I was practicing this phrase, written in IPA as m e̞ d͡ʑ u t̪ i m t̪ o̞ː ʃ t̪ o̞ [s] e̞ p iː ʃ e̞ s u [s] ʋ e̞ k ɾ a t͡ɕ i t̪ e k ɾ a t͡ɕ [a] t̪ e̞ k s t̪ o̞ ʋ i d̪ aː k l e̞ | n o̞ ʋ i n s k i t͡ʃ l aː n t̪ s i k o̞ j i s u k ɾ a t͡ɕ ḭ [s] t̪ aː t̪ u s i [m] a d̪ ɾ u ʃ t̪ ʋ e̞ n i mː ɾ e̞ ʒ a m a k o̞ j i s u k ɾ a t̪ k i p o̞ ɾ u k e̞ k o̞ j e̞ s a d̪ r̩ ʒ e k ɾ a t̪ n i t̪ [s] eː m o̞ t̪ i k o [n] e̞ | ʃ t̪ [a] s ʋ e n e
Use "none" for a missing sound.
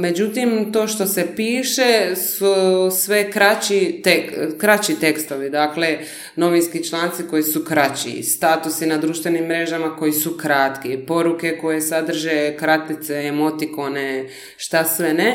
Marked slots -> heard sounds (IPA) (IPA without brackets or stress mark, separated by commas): s, s, i, s, n, s, n, a